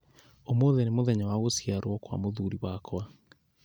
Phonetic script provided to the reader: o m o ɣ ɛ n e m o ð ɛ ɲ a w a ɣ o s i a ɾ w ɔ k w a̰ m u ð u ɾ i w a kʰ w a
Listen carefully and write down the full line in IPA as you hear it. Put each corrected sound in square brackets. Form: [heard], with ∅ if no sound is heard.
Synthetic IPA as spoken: o m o [ð] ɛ n e m o ð ɛ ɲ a w a ɣ o s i a ɾ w ɔ k w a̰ m [o] ð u ɾ i w a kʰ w a